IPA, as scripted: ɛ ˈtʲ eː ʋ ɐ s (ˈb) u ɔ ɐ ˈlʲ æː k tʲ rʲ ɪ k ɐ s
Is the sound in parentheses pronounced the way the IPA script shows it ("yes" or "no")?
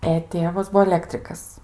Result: yes